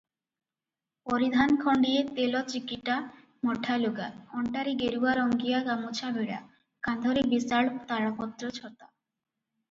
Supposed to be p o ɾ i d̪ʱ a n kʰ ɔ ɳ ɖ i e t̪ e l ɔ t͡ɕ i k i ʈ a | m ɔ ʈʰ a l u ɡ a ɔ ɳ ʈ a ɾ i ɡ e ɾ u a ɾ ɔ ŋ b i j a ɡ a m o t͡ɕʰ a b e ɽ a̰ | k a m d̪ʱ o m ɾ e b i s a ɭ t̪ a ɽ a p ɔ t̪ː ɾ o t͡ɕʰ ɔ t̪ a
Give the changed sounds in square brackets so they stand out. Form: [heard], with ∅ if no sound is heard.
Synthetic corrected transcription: p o ɾ i d̪ʱ a n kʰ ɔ ɳ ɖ i e t̪ e l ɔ t͡ɕ i k i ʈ a | m ɔ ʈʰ a l u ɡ a ɔ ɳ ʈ a ɾ i ɡ e ɾ u a ɾ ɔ ŋ [ɡ] i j a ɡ a m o t͡ɕʰ a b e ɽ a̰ | k a [n] d̪ʱ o [∅] ɾ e b i s a ɭ t̪ a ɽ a p ɔ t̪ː ɾ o t͡ɕʰ ɔ t̪ a

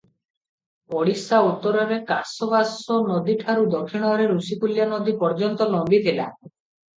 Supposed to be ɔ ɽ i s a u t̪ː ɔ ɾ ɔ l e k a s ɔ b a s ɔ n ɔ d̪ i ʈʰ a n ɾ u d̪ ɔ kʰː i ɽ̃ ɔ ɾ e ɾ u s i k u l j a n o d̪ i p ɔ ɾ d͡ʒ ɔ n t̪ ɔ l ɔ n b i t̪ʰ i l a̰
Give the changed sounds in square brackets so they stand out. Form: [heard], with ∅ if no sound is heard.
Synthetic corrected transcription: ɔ ɽ i s a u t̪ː ɔ ɾ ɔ [ɾ] e k a s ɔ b a s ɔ n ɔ d̪ i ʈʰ a [∅] ɾ u d̪ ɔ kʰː i ɽ̃ ɔ ɾ e ɾ u s i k u l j a n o d̪ i p ɔ ɾ d͡ʒ ɔ n t̪ ɔ l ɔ [m] b i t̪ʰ i l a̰

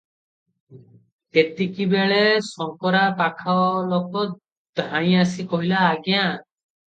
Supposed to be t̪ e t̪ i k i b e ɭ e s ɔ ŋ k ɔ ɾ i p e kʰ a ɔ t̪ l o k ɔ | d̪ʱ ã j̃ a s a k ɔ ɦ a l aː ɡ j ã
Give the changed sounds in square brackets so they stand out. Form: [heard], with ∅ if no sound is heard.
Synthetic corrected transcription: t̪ e t̪ i k i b e ɭ e s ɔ ŋ k ɔ ɾ [a] p [a] kʰ a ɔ [∅] l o k ɔ | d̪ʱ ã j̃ a s [i] k ɔ ɦ [i] l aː ɡ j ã

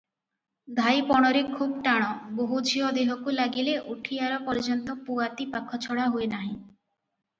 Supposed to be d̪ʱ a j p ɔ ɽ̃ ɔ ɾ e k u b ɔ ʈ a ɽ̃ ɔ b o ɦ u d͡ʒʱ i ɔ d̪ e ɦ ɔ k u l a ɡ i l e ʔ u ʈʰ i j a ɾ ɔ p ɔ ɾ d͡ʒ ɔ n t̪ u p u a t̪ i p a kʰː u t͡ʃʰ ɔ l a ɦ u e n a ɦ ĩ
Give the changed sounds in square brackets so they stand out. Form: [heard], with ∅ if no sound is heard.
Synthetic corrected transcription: d̪ʱ a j p ɔ ɽ̃ ɔ ɾ e [kʰ] u b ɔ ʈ a ɽ̃ ɔ b o ɦ u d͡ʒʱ i ɔ d̪ e ɦ ɔ k u l a ɡ i l e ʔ u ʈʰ i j a ɾ ɔ p ɔ ɾ d͡ʒ ɔ n t̪ [ɔ] p u a t̪ i p a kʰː [ɔ] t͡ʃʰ ɔ [ɽ] a ɦ u e n a ɦ ĩ

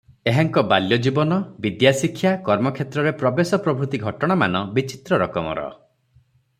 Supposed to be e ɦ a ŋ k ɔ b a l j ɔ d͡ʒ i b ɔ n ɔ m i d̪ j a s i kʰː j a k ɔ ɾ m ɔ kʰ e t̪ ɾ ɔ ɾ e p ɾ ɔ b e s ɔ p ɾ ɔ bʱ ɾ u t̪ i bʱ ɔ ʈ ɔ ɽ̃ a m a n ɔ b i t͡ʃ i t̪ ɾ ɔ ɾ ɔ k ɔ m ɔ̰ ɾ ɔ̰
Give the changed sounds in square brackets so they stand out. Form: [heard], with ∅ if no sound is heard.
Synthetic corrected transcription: e ɦ a ŋ k ɔ b a l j ɔ d͡ʒ i b ɔ n ɔ [b] i d̪ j a s i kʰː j a k ɔ ɾ m ɔ kʰ e t̪ ɾ ɔ ɾ e p ɾ ɔ b e s ɔ p ɾ ɔ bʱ ɾ u t̪ i [ɡʱ] ɔ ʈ ɔ ɽ̃ a m a n ɔ b i t͡ʃ i t̪ ɾ ɔ ɾ ɔ k ɔ m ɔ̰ ɾ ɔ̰

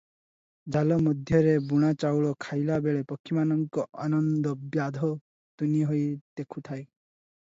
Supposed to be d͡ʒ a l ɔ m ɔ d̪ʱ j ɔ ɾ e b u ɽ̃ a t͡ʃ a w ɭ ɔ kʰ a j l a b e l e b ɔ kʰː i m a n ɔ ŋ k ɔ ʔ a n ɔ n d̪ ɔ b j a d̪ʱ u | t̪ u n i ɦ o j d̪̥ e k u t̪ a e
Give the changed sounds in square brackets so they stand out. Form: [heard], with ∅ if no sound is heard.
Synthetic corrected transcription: d͡ʒ a l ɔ m ɔ d̪ʱ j ɔ ɾ e b u ɽ̃ a t͡ʃ a w ɭ ɔ kʰ a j l a b e [ɭ] e [p] ɔ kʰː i m a n ɔ ŋ k ɔ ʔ a n ɔ n d̪ ɔ b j a d̪ʱ [ɔ] | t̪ u n i ɦ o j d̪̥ e [kʰ] u [t̪ʰ] a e

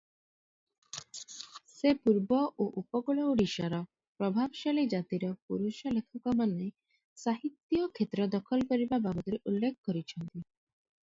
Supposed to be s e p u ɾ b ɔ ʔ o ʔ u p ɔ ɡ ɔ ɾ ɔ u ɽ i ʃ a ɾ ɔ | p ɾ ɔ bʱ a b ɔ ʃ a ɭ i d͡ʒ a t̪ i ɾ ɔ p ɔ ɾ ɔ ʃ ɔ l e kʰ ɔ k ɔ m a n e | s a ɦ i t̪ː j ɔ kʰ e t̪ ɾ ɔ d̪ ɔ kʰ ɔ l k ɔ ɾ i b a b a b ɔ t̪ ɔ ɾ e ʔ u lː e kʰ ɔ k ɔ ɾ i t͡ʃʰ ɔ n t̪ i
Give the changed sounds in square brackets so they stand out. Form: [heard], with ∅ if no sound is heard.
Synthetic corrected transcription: s e p u ɾ b ɔ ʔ o ʔ u p ɔ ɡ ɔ [ɭ] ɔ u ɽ i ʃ a ɾ ɔ | p ɾ ɔ bʱ a b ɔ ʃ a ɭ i d͡ʒ a t̪ i ɾ ɔ p [u] ɾ [u] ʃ ɔ l e kʰ ɔ k ɔ m a n e | s a ɦ i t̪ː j ɔ kʰ e t̪ ɾ ɔ d̪ ɔ kʰ ɔ l k ɔ ɾ i b a b a b ɔ t̪ ɔ ɾ e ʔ u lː e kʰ ɔ k ɔ ɾ i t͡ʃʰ ɔ n t̪ i

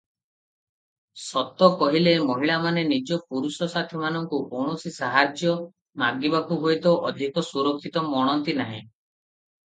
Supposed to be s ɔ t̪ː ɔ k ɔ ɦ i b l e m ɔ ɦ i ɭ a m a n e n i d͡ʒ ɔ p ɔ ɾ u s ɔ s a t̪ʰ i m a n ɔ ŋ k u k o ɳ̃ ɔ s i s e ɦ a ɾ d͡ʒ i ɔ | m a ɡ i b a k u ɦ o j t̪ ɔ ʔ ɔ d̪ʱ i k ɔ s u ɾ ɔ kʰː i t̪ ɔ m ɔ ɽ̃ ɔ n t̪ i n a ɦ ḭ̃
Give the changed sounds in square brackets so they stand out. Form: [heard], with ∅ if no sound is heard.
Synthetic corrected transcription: s ɔ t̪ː ɔ k ɔ ɦ i [∅] l e m ɔ ɦ i ɭ a m a n e n i d͡ʒ ɔ p [u] ɾ u s ɔ s a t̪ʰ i m a n ɔ ŋ k u k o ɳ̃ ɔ s i s [a] ɦ a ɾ d͡ʒ [j] ɔ | m a ɡ i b a k u ɦ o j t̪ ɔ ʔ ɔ d̪ʱ i k ɔ s u ɾ ɔ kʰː i t̪ ɔ m ɔ ɽ̃ ɔ n t̪ i n a ɦ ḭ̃

